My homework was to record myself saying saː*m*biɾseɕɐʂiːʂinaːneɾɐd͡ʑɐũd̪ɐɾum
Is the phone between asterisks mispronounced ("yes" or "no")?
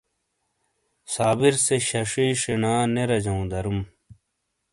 yes